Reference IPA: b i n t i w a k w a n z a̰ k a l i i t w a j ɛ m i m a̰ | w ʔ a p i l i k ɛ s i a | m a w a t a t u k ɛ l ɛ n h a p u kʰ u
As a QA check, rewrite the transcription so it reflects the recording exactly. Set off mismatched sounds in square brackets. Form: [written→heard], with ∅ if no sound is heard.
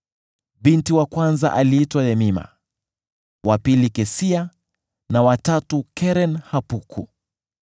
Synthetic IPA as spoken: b i n t i w a k w a n z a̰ [k→ʔ] a l i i t w a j ɛ m i m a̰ | w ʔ a p i l i k ɛ s i a | [m→n] a w a t a t u k ɛ [l→ɾ] ɛ n h a p u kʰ u

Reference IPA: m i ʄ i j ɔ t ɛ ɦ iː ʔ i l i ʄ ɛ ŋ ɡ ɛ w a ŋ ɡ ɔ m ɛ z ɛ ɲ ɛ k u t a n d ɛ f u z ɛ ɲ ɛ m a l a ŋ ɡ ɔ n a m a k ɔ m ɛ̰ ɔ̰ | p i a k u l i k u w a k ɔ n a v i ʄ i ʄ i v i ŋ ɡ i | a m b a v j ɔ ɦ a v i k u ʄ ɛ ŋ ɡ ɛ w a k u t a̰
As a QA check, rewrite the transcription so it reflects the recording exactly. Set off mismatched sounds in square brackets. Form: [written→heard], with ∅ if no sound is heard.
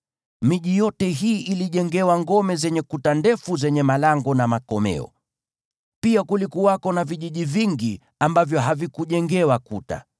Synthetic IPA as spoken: m i ʄ i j ɔ t ɛ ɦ iː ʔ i l i ʄ ɛ ŋ ɡ ɛ w a ŋ ɡ ɔ m ɛ z ɛ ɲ ɛ k u t a n d ɛ f u z ɛ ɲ ɛ m a l a ŋ ɡ ɔ n a m a k ɔ m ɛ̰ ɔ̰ | p i a k u l i k u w a k ɔ n a v i ʄ i ʄ i v i ŋ ɡ i | a m b a v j ɔ ɦ a v i k u ʄ ɛ ŋ ɡ ɛ w a k u t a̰

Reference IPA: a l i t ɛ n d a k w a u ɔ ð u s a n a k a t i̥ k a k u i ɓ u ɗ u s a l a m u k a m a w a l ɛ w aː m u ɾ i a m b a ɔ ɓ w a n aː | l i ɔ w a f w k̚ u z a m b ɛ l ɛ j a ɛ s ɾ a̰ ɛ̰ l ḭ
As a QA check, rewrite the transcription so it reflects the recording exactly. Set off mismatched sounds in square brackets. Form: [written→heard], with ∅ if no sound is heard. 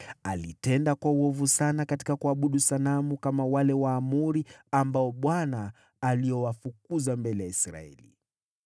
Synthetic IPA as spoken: a l i t ɛ n d a k w a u ɔ [ð→v] u s a n a k a t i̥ k a k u [i→a] ɓ u ɗ u s a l a m u k a m a w a l ɛ w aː m u ɾ i a m b a ɔ ɓ w a n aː | l i ɔ w a f [w→u] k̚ u z a m b ɛ l ɛ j a [ɛ→i] s ɾ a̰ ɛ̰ l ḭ

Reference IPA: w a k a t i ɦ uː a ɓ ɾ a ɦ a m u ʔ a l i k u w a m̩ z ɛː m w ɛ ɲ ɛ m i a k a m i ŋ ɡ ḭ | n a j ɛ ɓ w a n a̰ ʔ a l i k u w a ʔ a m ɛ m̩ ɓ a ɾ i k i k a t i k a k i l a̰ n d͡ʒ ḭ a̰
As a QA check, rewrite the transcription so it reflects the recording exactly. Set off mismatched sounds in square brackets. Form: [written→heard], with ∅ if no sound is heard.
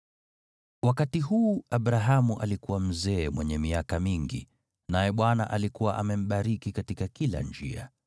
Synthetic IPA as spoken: w a k a t i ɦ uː a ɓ ɾ a ɦ a m u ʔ a l i k u w a m̩ z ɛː m w ɛ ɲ ɛ m i a k a m i ŋ ɡ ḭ | n a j ɛ ɓ w a n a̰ ʔ a l i k u w a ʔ a m ɛ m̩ ɓ a ɾ i k i k a t i k a k i l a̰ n d͡ʒ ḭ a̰

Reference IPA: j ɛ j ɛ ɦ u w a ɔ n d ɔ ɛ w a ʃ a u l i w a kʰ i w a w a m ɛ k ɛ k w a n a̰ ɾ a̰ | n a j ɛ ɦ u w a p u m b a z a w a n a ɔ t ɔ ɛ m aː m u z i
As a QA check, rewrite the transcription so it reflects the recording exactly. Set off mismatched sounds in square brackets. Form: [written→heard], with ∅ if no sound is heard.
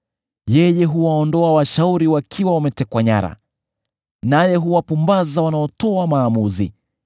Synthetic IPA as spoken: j ɛ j ɛ ɦ u w a ɔ n d ɔ [ɛ→a] w a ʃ a u [l→ɾ] i w a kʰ i w a w a m ɛ [k→t] ɛ k w a [n→ɲ] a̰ ɾ a̰ | n a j ɛ ɦ u w a p u m b a z a w a n a ɔ t ɔ [ɛ→a] m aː m u z i

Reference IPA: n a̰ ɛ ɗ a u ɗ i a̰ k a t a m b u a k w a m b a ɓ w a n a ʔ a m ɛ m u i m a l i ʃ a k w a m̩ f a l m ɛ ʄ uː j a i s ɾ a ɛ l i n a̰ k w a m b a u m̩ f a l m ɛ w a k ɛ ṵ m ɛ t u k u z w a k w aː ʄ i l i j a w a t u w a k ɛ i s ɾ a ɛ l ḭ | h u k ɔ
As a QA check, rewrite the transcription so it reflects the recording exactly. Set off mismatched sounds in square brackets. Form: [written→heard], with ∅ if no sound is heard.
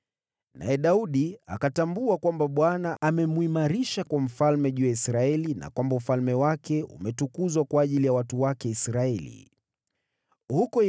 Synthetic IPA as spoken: n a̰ ɛ ɗ a u ɗ i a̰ k a t a m b u a k w a m b a ɓ w a n a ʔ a m ɛ m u i m a [l→ɾ] i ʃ a k w a m̩ f a l m ɛ ʄ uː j a i s ɾ a ɛ l i n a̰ k w a m b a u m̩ f a l m ɛ w a k ɛ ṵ m ɛ t u k u z w a k w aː ʄ i l i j a w a t u w a k ɛ i s ɾ a ɛ l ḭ | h u k ɔ

